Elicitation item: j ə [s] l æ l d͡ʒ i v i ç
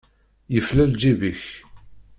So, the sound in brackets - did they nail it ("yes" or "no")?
no